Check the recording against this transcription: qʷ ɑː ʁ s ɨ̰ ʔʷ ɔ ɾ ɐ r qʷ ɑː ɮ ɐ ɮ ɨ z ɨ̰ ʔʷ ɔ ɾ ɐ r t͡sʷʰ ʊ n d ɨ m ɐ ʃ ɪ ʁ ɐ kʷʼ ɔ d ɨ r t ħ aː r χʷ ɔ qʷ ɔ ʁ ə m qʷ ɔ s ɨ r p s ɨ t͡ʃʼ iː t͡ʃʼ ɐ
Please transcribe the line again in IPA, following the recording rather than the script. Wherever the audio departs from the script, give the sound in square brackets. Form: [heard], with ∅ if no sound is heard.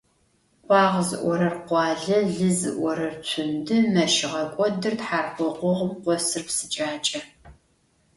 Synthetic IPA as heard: qʷ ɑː ʁ [z] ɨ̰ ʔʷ ɔ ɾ ɐ r qʷ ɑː ɮ ɐ ɮ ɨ z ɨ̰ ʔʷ ɔ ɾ ɐ r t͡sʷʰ ʊ n d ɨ m ɐ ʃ ɪ ʁ ɐ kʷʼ ɔ d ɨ r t ħ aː r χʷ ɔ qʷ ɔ ʁ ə m qʷ ɔ s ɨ r p s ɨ t͡ʃʼ [aː] t͡ʃʼ ɐ